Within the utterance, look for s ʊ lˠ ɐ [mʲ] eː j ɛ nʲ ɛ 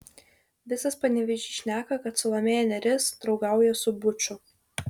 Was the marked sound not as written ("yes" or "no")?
no